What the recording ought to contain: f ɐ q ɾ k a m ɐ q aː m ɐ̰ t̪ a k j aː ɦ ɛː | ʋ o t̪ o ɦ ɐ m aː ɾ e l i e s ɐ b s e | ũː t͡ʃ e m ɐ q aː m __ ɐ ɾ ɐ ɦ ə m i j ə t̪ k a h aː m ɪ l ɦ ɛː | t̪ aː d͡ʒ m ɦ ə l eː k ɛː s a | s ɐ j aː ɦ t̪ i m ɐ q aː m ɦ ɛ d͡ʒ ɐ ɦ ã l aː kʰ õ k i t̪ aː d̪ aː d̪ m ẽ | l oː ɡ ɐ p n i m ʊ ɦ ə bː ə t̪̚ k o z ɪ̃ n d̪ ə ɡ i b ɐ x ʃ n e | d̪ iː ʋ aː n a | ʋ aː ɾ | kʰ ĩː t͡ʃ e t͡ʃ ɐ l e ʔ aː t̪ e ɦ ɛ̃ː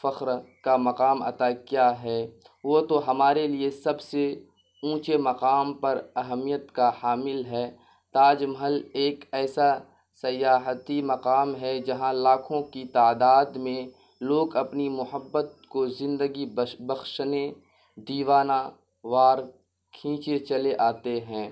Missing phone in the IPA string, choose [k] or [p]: p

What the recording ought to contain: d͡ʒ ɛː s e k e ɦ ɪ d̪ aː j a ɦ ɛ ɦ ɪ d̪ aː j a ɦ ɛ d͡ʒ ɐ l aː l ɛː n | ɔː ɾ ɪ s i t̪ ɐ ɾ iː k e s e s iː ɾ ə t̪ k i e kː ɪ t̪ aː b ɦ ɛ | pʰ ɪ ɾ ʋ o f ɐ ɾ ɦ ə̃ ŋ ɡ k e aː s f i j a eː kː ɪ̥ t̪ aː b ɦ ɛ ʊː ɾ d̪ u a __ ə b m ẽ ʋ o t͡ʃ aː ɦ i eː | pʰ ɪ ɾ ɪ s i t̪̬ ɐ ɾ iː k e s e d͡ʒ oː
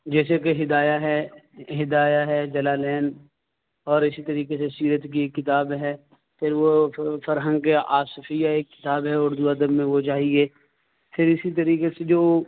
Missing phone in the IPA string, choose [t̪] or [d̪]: d̪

